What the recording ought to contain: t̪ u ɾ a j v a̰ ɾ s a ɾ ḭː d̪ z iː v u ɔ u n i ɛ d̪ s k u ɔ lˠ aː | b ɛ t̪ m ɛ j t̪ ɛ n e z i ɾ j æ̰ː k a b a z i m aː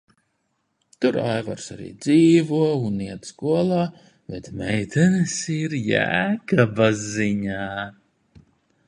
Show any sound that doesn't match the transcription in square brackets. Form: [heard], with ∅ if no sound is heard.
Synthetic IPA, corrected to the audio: t̪ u ɾ a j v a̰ ɾ s a ɾ ḭː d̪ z iː v u ɔ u n i ɛ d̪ s k u ɔ lˠ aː | b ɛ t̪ m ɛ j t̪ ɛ n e [s] i ɾ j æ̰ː k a b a z i [ɲ] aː